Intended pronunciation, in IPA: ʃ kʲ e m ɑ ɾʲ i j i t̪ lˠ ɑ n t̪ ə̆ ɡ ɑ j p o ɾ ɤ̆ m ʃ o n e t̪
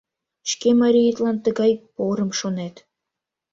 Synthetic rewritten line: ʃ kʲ e m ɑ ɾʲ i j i t̪ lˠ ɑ n t̪ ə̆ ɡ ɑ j p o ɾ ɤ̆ m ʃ o n e t̪